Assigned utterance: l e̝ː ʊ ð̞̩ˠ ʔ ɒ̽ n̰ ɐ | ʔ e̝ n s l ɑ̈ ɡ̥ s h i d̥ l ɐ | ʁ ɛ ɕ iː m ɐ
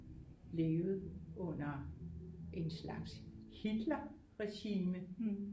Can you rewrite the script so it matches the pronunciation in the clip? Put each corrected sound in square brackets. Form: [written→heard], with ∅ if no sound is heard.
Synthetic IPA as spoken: l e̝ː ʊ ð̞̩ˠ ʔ [ɒ̽→ɔ̽] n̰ ɐ | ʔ e̝ n s l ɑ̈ ɡ̥ s h i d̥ l ɐ | ʁ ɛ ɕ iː m [ɐ→ə]